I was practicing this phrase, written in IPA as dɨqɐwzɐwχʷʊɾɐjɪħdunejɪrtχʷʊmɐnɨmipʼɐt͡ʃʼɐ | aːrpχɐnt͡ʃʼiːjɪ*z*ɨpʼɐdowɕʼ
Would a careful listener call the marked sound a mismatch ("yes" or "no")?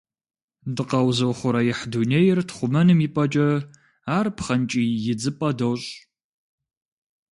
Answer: yes